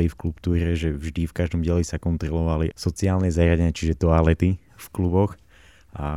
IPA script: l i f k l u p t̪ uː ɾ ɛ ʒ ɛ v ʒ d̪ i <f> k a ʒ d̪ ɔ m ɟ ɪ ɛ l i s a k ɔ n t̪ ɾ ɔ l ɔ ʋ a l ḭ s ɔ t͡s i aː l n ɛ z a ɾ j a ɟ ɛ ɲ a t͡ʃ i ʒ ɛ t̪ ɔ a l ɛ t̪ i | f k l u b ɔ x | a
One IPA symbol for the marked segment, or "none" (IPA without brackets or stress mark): f